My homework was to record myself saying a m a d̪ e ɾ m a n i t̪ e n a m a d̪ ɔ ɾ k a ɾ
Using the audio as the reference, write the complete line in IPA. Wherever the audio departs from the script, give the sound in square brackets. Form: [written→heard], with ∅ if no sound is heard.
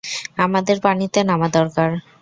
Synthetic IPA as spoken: a m a d̪ e ɾ [m→b] a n i t̪ e n a m a d̪ ɔ ɾ k a ɾ